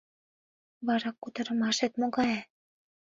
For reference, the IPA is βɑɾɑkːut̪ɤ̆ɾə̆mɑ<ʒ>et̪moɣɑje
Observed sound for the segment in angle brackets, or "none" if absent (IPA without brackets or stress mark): ʃ